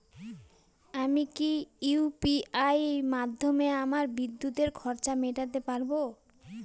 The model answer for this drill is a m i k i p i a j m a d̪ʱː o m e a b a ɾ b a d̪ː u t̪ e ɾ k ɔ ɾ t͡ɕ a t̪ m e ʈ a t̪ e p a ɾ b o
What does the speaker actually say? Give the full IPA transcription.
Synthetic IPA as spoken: a m i k i p i a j m a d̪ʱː o m e a m a ɾ b i d̪ː u t̪ e ɾ kʰ ɔ ɾ t͡ɕ a m e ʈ a t̪ e p a ɾ b o